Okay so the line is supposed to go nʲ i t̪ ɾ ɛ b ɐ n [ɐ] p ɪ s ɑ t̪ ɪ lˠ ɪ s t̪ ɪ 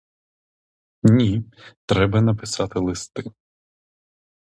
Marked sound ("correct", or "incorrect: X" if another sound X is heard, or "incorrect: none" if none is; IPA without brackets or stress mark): correct